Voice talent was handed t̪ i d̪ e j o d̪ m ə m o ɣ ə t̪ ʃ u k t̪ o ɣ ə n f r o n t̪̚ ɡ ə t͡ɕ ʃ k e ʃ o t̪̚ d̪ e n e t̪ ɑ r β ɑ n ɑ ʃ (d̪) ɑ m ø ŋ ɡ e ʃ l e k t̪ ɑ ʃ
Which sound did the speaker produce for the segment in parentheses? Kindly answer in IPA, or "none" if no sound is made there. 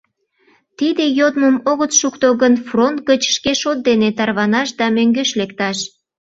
d̪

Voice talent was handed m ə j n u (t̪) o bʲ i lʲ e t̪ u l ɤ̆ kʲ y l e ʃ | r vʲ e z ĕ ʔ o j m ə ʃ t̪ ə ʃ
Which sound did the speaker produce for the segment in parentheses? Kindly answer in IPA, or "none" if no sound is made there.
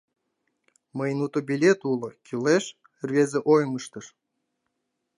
t̪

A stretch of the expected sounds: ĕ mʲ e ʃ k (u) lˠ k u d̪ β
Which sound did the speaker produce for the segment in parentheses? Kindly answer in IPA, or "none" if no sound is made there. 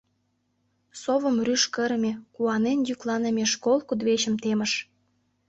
o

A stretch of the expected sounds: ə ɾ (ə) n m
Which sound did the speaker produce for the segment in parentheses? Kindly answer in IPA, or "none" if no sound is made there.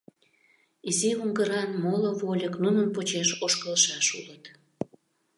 ɑ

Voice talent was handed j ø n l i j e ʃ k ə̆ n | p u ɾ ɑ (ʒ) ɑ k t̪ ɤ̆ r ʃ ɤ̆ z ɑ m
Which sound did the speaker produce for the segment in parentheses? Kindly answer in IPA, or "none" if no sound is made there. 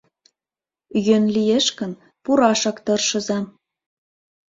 ʃ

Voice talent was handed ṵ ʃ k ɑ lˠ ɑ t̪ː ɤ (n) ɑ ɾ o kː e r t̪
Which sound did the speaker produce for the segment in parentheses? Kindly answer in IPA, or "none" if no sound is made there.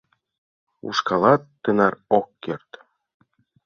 n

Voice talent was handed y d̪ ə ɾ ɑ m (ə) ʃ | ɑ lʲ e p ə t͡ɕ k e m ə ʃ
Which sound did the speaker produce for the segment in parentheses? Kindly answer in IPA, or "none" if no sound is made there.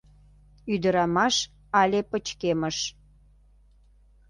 ɑ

